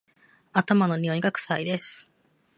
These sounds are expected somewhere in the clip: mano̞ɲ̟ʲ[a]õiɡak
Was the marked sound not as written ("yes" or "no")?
yes